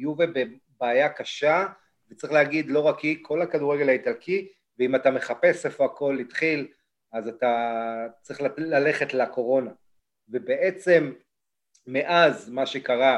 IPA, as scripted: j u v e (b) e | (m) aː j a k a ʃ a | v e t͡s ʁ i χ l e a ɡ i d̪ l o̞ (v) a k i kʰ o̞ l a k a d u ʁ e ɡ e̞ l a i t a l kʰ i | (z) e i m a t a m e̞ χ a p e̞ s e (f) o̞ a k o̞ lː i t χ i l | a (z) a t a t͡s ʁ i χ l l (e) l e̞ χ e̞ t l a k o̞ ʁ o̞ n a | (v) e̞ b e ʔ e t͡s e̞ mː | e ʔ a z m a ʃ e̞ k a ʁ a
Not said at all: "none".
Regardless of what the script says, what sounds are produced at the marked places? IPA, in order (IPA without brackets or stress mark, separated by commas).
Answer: b, b, ʁ, v, f, z, a, v